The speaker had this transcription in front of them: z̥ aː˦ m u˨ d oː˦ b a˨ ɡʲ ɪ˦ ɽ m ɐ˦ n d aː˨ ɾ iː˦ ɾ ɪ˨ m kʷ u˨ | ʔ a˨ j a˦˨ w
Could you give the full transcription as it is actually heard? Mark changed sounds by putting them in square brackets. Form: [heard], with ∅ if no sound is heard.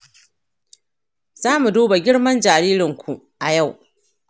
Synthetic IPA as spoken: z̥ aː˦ m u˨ d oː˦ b a˨ ɡʲ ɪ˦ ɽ m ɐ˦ n [d͡ʒ] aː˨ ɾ iː˦ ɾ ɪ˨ [ŋ] kʷ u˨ | ʔ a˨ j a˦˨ w

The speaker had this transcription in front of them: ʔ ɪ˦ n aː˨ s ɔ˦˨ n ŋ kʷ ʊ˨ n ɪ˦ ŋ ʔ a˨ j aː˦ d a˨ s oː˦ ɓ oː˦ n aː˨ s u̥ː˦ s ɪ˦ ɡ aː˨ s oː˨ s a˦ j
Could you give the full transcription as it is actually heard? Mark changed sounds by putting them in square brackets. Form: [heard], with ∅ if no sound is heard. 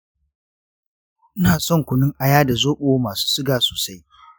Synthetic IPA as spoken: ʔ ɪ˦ n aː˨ s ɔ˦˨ [∅] ŋ kʷ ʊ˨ n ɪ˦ ŋ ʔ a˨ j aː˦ d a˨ [z] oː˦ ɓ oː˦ [m] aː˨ s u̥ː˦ s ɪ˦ ɡ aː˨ s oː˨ s a˦ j

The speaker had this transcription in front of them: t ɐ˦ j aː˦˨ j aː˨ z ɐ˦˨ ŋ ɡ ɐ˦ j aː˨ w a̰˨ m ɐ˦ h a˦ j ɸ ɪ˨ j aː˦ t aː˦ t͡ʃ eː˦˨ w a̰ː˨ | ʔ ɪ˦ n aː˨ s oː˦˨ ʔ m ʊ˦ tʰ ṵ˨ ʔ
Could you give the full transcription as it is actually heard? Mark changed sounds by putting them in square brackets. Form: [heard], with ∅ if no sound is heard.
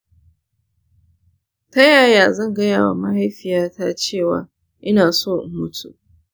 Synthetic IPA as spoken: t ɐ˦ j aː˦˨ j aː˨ z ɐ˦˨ ŋ ɡ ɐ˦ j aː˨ w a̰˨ m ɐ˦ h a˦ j ɸ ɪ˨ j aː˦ t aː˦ t͡ʃ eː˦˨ w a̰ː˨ | ʔ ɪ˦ n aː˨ s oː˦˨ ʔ m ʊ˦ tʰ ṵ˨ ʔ

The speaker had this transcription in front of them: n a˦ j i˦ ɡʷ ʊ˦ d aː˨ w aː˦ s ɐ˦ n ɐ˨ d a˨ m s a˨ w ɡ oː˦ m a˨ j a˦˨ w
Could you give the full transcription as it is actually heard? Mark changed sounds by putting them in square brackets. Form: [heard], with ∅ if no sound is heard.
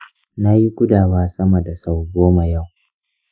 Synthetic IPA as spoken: n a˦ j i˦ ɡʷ ʊ˦ d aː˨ w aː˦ s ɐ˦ [m] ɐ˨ d a˨ [∅] s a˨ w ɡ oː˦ m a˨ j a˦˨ w

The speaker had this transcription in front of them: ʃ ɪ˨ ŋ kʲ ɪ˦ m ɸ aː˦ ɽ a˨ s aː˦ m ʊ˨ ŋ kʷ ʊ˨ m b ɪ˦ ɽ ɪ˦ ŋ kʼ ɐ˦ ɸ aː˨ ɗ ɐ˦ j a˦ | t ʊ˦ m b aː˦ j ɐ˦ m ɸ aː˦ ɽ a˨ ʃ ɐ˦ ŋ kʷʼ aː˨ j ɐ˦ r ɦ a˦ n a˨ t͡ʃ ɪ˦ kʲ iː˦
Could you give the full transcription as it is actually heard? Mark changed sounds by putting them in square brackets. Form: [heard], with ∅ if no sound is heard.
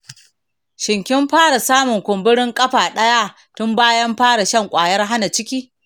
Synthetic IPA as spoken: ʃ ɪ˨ ŋ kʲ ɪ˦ m ɸ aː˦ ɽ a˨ s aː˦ m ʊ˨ ŋ kʷ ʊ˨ m b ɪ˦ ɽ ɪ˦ ŋ kʼ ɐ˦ ɸ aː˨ ɗ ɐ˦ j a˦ | t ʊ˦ m b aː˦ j ɐ˦ m ɸ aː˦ ɽ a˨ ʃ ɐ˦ ŋ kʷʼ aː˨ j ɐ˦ r ɦ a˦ n a˨ t͡ʃ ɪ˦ kʲ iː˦

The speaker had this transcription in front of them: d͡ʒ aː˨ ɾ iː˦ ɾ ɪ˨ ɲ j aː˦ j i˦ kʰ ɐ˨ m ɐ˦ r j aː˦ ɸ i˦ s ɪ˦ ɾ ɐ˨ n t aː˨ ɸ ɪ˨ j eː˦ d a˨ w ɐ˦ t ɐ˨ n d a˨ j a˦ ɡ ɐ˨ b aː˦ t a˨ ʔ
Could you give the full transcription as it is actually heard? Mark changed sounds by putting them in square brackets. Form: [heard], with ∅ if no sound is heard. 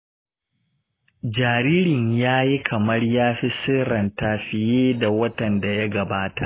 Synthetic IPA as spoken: d͡ʒ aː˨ ɾ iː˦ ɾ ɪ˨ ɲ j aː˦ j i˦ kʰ ɐ˨ m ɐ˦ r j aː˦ ɸ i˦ s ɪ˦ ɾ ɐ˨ n t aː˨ ɸ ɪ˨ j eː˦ d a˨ w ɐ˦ t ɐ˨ n d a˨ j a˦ ɡ ɐ˨ b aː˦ t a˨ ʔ

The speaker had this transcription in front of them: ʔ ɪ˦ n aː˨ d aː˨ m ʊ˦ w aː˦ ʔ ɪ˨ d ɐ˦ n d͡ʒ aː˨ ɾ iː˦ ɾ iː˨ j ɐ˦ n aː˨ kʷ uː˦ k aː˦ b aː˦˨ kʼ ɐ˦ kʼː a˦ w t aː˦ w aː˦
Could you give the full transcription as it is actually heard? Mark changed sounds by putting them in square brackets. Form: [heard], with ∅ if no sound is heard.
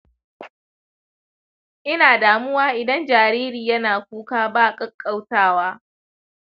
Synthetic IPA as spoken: ʔ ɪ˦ n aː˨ d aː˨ m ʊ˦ w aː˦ ʔ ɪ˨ d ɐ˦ n d͡ʒ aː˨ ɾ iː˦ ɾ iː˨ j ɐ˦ n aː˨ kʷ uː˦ k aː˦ b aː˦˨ kʼ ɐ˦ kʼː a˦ w t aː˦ w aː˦

